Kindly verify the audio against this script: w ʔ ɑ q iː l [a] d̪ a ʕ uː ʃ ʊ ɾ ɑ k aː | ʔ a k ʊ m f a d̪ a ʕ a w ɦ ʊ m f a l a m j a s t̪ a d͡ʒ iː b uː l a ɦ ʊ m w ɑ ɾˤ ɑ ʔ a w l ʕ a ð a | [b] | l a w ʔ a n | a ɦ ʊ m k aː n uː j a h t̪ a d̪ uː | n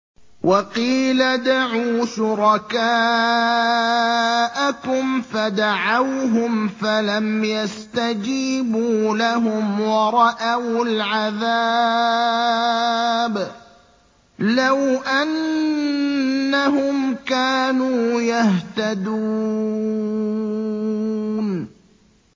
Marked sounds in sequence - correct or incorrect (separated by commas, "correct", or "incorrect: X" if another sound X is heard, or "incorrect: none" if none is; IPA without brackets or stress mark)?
correct, correct